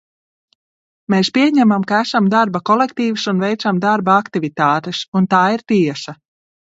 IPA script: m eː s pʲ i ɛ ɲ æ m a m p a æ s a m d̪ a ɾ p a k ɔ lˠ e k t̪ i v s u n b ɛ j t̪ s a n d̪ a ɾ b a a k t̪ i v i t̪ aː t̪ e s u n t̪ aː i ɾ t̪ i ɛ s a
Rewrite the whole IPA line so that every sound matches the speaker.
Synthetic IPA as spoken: m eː s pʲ i ɛ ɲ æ m a m k a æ s a m d̪ a ɾ b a k ɔ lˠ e k t̪ iː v s u n v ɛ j t̪ s a m d̪ a ɾ b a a k t̪ i v i t̪ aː t̪ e s u n t̪ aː i ɾ t̪ i ɛ s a